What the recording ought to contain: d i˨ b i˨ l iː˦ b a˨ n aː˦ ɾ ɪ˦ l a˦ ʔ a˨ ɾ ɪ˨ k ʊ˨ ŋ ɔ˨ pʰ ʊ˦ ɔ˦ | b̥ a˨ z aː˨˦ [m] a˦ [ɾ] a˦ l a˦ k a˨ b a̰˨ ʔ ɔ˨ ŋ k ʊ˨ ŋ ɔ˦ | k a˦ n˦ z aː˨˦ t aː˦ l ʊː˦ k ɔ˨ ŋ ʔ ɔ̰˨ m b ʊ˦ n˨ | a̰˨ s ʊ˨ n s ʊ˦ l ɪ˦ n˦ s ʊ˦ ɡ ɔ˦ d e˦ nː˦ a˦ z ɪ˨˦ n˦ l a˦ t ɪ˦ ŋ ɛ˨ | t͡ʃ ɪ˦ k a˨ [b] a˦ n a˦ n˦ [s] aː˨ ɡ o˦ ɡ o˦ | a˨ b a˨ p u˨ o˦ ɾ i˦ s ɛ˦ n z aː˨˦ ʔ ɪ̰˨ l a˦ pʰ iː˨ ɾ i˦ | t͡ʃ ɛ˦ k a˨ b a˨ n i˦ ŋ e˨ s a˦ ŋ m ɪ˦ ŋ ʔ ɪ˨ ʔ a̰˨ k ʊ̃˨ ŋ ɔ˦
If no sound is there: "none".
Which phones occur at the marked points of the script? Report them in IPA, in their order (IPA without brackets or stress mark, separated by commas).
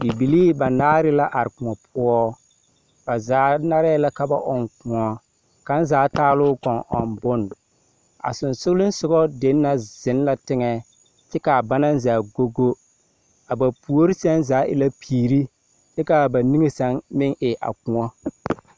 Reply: n, ɾ, b, z